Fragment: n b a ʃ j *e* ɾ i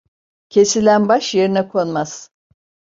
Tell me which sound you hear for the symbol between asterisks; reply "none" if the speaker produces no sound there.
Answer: e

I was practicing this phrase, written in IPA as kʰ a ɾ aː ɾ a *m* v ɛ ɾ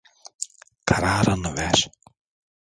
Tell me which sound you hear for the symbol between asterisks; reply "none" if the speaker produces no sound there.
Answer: n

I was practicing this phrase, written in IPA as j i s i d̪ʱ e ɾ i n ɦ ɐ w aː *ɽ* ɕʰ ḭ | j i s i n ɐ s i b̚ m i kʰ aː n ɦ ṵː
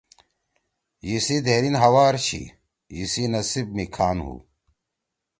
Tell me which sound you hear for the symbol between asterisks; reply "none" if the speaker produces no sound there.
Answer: ɾ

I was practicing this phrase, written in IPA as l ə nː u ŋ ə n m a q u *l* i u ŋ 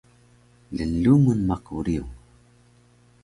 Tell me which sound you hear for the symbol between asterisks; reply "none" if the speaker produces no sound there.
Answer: ɾ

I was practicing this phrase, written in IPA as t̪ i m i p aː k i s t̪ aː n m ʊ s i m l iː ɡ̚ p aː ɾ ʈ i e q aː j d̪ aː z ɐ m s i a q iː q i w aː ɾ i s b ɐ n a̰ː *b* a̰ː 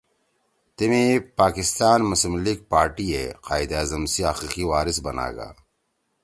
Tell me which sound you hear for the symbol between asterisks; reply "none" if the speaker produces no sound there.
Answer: ɡ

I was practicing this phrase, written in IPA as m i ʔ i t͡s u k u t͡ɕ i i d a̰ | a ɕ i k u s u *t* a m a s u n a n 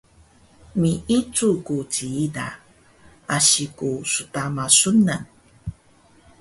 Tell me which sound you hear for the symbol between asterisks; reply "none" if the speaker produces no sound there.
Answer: t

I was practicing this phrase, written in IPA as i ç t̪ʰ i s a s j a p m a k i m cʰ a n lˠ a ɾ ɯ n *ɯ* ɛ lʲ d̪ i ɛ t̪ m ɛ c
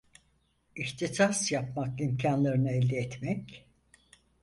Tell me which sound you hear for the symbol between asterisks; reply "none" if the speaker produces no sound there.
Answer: ɯ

